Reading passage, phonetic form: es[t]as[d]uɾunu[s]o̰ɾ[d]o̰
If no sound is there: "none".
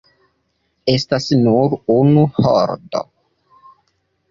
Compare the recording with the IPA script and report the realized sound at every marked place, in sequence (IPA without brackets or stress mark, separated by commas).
t, n, h, d